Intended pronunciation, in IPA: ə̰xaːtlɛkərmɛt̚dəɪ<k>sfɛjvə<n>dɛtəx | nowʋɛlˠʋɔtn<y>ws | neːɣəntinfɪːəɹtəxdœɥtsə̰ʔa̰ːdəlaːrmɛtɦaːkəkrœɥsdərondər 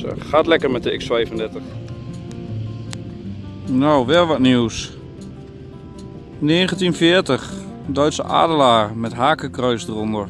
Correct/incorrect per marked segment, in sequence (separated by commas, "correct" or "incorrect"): correct, correct, incorrect